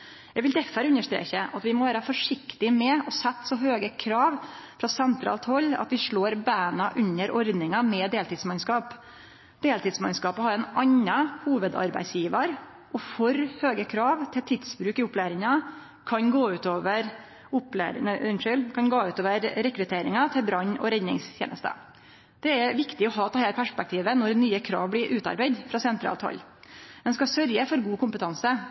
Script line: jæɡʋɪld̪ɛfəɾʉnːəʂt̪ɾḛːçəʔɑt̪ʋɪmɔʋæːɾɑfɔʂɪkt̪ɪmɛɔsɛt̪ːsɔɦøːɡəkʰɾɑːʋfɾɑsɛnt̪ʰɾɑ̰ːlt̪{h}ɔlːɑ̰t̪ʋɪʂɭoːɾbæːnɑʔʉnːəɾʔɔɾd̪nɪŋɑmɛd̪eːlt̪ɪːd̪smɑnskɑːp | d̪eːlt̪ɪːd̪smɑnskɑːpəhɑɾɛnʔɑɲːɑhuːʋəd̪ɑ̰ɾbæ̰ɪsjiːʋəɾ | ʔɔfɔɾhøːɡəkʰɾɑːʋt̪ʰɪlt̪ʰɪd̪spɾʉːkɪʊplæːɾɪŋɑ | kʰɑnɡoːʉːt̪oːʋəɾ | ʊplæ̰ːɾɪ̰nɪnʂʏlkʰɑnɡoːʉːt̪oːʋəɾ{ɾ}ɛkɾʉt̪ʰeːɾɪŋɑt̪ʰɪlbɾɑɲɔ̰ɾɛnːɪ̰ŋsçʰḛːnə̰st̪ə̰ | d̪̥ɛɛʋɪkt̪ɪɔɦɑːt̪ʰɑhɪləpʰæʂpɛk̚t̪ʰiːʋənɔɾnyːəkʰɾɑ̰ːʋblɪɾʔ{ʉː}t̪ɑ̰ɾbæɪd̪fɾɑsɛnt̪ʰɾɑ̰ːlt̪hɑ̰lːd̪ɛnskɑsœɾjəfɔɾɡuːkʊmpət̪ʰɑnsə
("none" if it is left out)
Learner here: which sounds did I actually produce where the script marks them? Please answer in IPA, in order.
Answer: h, ɾ, ʉː

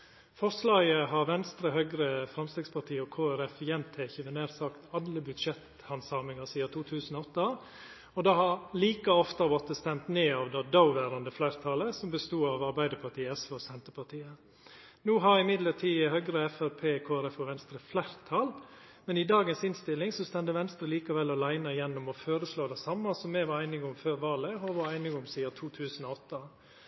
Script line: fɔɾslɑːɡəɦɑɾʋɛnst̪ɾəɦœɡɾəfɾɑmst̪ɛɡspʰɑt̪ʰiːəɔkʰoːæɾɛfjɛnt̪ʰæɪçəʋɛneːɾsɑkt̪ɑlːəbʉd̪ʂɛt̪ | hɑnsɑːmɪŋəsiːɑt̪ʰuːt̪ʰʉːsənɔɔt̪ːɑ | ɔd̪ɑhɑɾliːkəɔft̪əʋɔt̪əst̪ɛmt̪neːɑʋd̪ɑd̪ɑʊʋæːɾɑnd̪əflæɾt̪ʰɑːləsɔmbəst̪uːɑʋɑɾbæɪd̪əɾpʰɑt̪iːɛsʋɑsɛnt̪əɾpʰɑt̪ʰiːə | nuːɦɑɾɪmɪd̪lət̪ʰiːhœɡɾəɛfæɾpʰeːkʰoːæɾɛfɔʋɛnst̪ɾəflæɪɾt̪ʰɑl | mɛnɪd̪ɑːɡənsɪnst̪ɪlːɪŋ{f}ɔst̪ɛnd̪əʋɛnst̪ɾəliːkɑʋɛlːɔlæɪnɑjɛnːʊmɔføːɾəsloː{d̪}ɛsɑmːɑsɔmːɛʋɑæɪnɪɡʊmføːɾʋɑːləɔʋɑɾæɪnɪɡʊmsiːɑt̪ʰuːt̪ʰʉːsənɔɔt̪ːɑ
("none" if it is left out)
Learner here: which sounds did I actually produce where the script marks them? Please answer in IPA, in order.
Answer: s, d̪

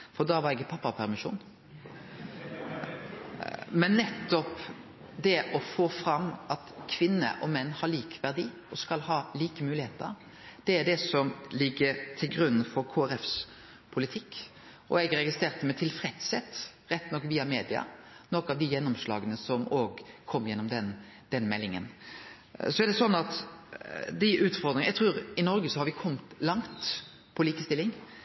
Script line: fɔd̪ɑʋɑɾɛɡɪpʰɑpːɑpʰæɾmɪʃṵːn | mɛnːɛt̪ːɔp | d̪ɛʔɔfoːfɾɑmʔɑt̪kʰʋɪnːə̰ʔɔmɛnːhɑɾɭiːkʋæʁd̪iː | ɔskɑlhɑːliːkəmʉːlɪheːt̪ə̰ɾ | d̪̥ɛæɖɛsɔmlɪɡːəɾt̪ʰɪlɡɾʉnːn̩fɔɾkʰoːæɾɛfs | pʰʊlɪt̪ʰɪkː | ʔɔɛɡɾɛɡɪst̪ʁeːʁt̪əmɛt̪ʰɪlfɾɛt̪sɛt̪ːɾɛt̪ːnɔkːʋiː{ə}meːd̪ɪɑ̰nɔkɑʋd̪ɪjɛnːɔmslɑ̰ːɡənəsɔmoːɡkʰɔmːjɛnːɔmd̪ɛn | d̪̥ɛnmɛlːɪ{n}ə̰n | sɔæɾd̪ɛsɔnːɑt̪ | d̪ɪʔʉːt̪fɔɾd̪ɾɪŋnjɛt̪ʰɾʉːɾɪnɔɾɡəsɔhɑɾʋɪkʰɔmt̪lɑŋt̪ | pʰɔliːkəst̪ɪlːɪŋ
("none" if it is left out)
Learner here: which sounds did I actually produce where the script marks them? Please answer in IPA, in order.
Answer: ɑ, ŋ

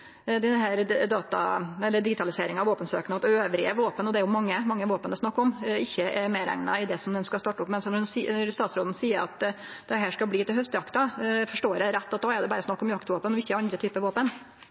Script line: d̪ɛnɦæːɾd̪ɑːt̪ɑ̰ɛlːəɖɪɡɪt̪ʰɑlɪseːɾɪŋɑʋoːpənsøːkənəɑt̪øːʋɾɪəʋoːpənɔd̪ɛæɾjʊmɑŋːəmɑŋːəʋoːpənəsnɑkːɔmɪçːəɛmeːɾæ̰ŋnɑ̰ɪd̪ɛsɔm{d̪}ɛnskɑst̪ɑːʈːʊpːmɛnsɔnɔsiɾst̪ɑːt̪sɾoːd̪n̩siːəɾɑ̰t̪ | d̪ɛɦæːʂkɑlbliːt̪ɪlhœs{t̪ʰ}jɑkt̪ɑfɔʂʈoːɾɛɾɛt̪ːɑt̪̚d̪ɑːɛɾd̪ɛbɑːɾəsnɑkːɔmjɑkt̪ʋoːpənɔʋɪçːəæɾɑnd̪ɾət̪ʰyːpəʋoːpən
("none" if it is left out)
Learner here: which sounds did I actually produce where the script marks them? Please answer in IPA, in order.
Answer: d̪, t̪

